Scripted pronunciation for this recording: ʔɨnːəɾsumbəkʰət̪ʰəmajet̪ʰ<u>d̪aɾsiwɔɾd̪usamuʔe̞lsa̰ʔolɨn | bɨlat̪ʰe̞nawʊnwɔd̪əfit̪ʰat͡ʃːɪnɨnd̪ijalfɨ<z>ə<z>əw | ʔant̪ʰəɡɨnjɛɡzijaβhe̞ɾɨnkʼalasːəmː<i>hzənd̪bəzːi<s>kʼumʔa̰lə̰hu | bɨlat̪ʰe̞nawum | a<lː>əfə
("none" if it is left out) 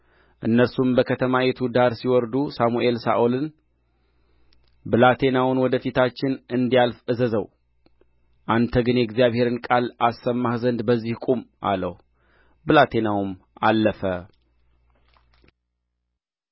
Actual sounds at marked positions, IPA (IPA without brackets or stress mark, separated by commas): u, z, z, a, h, lː